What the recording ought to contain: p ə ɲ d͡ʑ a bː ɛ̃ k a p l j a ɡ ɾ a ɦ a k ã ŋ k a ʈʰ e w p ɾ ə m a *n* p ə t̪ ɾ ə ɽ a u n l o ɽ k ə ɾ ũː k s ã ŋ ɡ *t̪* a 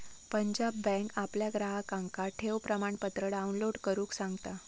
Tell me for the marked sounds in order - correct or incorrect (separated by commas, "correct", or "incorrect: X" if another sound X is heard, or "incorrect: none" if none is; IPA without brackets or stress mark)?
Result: incorrect: ɳ, correct